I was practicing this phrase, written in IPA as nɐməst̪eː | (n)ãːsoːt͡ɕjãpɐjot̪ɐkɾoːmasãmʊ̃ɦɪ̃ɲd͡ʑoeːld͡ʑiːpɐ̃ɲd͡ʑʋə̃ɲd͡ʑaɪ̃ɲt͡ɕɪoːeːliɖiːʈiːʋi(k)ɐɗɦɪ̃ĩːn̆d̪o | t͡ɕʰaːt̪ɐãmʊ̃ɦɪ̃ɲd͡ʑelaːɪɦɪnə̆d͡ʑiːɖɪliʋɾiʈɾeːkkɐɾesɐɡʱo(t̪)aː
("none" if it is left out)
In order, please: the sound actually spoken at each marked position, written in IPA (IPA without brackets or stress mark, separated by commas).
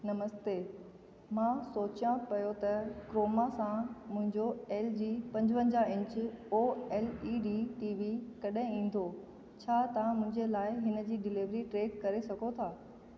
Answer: m, k, t̪ʰ